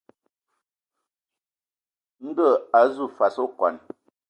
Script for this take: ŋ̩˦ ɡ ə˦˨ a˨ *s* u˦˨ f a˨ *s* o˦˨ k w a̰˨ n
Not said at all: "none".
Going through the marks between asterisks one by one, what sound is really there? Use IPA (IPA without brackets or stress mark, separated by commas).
z, s